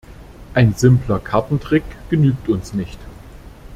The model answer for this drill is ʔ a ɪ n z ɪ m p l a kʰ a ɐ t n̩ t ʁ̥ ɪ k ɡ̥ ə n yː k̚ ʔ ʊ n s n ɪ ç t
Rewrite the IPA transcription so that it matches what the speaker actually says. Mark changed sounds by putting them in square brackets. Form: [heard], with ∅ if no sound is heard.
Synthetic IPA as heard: ʔ a ɪ n z ɪ m p l [ɐ] kʰ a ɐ t n̩ t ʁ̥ ɪ k ɡ̥ ə n yː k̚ [t] ʊ n s n ɪ ç t